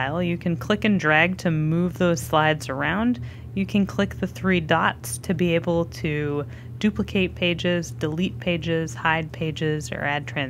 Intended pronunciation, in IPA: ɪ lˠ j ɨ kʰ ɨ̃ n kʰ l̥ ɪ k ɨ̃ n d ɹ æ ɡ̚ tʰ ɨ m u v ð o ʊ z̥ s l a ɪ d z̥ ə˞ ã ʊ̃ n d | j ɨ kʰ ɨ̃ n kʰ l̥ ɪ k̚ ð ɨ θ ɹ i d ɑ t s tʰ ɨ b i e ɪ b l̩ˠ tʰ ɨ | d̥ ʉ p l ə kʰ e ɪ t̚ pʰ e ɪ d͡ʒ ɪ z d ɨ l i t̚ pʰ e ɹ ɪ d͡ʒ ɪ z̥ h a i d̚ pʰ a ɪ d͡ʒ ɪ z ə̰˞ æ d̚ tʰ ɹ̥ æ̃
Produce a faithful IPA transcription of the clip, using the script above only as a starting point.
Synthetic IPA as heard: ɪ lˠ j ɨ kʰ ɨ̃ n kʰ l̥ ɪ k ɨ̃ n d ɹ æ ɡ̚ tʰ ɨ m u v ð o ʊ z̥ s l a ɪ d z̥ ə˞ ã ʊ̃ n d | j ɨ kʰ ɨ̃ n kʰ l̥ ɪ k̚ ð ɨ θ ɹ i d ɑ t s tʰ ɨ b i e ɪ b l̩ˠ tʰ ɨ | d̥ ʉ p l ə kʰ e ɪ t̚ pʰ e ɪ d͡ʒ ɪ z d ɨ l i t̚ pʰ e ɪ d͡ʒ ɪ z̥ h a ɪ d̚ pʰ e ɪ d͡ʒ ɪ z ə̰˞ æ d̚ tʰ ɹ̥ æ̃